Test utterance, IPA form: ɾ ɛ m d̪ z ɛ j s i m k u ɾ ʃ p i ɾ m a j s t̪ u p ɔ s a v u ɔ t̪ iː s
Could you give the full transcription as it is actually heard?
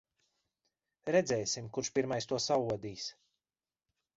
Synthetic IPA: ɾ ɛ d̪ z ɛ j s i m k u ɾ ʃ p i ɾ m a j s t̪ u ɔ s a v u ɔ d̪ iː s